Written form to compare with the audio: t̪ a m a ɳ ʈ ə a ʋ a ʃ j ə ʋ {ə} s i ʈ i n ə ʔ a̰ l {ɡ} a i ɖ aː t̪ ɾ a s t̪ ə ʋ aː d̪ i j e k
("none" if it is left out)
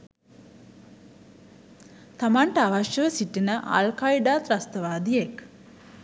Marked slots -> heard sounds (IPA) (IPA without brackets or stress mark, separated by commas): ə, k